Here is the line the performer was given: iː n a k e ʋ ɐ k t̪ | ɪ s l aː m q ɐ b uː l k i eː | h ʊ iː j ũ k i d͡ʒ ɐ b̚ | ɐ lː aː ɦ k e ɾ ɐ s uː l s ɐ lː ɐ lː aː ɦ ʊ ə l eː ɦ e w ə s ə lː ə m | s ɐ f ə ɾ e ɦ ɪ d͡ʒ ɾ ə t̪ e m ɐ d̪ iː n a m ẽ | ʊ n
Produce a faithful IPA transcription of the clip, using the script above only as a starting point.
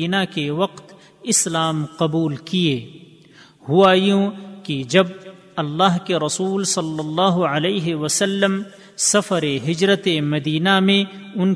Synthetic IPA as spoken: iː n a k e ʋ ɐ q t̪ | ɪ s l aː m q ɐ b uː l k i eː | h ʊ aː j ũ k i d͡ʒ ɐ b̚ | ɐ lː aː ɦ k e ɾ ɐ s uː l s ɐ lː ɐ lː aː ɦ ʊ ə l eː ɦ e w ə s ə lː ə m | s ɐ f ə ɾ e ɦ ɪ d͡ʒ ɾ ə t̪ e m ɐ d̪ iː n a m ẽ | ʊ n